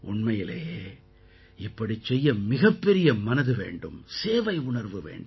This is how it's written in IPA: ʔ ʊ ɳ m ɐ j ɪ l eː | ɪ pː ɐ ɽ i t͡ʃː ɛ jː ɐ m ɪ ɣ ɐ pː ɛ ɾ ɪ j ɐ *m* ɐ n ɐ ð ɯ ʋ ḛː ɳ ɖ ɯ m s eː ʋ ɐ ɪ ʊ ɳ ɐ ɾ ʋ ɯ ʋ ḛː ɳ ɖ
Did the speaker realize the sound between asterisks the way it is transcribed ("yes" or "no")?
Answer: yes